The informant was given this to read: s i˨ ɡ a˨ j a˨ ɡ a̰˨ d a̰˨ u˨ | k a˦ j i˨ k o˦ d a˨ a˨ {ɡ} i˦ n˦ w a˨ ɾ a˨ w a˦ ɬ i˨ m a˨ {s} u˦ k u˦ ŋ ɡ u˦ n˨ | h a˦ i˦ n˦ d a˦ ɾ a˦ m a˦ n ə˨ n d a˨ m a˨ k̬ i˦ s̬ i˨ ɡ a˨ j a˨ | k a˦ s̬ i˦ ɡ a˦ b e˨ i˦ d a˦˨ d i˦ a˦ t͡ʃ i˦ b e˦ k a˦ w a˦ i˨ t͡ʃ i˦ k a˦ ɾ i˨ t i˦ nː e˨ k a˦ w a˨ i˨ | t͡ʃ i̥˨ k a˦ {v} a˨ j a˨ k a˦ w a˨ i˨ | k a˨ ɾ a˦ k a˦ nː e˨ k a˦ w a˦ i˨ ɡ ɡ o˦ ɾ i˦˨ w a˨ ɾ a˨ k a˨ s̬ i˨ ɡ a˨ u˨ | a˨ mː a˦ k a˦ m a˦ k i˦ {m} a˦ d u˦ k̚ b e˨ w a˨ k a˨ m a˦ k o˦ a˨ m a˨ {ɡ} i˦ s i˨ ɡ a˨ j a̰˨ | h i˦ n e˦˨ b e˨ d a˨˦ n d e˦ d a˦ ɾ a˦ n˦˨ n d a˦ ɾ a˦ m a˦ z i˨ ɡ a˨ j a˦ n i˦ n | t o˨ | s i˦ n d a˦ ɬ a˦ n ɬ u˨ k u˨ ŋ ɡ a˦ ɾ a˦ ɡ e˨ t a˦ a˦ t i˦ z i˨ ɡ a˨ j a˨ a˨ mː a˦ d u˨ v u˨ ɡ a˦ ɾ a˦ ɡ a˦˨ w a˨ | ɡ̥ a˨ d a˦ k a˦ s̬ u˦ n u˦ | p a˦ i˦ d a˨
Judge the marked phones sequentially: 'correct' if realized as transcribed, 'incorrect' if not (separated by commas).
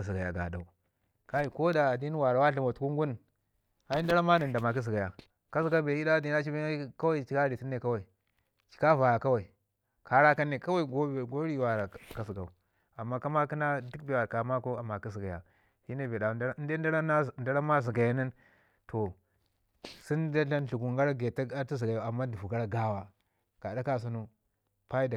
incorrect, incorrect, correct, incorrect, incorrect